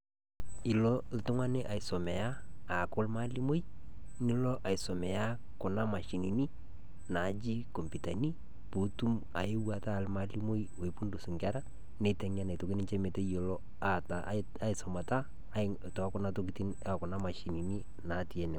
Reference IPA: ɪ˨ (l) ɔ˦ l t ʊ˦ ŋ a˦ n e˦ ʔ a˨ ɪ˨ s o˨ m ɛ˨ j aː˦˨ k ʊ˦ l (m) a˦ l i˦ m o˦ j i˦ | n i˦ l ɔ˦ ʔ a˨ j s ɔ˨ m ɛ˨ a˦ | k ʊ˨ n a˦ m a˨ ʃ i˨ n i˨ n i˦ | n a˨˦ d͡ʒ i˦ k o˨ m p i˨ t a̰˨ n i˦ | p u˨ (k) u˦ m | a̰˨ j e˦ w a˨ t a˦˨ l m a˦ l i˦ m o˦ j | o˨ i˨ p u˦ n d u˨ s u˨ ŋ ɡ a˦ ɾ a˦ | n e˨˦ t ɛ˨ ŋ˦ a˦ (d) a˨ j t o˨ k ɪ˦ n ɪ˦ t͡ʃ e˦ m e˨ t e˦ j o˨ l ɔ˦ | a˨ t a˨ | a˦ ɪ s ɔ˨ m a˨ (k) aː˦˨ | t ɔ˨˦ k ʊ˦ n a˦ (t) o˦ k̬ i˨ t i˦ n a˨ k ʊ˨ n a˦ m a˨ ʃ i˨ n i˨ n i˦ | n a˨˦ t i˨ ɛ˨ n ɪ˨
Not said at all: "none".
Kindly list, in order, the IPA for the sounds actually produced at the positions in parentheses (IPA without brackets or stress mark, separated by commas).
l, m, t, n, t, t